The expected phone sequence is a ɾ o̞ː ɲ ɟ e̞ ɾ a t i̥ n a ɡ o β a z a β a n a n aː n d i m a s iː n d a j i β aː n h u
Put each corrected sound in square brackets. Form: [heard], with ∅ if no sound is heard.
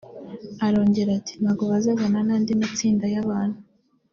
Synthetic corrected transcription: a ɾ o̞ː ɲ ɟ e̞ ɾ a t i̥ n a ɡ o β a z a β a n a n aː n d i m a [t͡s] iː n d a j [a] β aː n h u